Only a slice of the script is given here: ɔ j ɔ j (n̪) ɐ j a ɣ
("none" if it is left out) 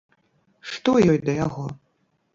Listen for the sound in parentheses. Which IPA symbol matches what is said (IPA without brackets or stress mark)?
d̪